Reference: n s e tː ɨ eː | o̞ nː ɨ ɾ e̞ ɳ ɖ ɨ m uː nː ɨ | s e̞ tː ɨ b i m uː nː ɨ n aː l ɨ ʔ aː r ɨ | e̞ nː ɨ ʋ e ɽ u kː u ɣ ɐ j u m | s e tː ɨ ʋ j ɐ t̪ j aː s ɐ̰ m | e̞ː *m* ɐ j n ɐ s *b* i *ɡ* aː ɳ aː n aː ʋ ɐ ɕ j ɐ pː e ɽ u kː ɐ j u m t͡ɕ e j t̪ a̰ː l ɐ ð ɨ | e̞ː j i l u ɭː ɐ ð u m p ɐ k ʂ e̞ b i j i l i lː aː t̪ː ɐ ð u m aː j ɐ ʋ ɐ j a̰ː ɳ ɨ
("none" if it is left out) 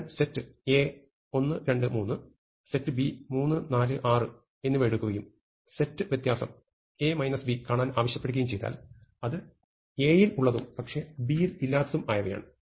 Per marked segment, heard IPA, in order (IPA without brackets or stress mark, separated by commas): m, b, k